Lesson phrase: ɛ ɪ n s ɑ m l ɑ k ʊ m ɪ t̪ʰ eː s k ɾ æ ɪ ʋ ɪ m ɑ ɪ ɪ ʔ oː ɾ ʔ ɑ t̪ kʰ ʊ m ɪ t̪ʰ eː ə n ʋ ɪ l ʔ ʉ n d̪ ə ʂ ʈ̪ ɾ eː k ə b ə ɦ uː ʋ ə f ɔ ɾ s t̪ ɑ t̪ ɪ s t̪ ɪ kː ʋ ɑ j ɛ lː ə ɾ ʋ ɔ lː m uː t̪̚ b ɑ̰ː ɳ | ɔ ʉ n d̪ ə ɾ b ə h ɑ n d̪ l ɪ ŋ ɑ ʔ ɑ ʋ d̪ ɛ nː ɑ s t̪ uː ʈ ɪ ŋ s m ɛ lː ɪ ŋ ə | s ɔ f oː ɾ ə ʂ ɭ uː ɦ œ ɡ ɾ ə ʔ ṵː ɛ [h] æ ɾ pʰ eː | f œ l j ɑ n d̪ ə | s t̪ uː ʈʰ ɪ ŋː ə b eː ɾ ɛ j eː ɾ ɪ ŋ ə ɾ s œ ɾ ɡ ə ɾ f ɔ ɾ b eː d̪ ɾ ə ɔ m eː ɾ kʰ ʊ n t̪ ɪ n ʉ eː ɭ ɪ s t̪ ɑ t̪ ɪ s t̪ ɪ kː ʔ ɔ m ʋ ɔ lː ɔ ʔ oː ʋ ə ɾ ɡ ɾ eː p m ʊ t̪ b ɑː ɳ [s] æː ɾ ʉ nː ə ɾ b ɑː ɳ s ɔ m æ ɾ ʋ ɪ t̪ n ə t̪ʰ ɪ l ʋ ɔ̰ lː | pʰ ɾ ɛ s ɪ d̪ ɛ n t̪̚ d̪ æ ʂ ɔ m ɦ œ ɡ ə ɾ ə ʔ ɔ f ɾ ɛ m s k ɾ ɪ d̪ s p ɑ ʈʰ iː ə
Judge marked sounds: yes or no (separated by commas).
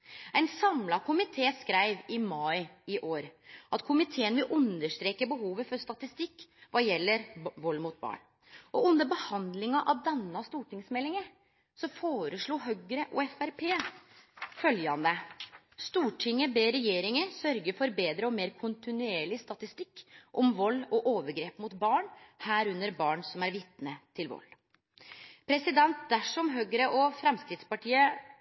no, no